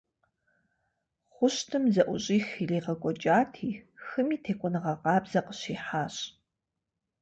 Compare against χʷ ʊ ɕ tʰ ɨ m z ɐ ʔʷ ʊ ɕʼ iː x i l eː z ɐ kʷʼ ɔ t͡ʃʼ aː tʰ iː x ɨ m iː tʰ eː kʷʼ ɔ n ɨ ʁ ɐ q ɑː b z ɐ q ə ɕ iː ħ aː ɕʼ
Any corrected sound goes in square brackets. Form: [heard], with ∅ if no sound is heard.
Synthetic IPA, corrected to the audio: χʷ ʊ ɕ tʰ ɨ m z ɐ ʔʷ ʊ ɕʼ iː x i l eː [ʁ] ɐ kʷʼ ɔ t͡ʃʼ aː tʰ iː x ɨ m iː tʰ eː kʷʼ ɔ n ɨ ʁ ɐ q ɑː b z ɐ q ə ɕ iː ħ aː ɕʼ